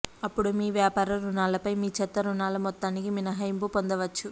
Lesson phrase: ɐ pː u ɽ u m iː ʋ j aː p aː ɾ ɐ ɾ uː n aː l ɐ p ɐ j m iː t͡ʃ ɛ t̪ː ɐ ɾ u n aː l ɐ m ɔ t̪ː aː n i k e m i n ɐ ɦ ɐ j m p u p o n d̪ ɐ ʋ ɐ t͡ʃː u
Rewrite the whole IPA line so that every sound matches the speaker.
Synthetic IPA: ɐ pː u ɽ u m iː ʋ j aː p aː ɾ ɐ ɾ u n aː l ɐ p ɐ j m iː t͡ʃ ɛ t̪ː ɐ ɾ u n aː l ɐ m ɔ t̪ː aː n i k i m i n ɐ ɦ ɐ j m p u p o n d̪ ɐ ʋ ɐ t͡ʃː u